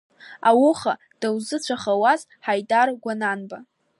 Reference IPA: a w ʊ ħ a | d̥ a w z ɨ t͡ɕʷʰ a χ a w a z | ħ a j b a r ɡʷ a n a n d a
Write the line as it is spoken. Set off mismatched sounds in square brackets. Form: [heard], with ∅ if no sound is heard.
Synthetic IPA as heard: a w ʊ [χ] a | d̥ a w z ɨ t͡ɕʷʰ a χ a w a z | ħ a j [d] a r ɡʷ a n a n [b] a